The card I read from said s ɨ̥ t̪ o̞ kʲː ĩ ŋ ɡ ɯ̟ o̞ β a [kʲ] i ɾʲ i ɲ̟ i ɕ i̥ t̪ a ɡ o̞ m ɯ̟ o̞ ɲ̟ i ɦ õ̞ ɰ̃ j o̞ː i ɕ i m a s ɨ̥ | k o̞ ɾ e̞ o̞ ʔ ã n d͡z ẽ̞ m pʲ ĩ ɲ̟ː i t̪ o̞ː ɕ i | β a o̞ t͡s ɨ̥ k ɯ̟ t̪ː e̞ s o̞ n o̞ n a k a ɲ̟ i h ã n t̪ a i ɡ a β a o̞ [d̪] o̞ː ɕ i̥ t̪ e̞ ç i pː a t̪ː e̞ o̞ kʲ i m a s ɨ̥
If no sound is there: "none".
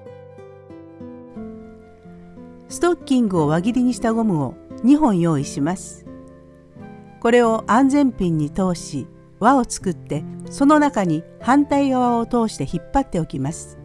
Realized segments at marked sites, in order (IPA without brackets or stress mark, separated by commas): ɡʲ, t̪